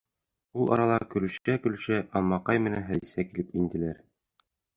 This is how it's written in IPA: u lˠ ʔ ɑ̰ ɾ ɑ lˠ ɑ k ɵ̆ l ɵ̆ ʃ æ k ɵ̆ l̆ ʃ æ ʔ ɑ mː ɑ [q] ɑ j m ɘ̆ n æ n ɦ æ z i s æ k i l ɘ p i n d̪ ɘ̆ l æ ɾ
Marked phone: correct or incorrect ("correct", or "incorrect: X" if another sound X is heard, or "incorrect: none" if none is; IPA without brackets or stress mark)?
correct